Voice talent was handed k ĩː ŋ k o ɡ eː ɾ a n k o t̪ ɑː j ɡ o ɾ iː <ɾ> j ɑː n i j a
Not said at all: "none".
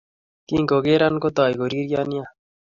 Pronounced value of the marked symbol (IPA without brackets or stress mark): ɾ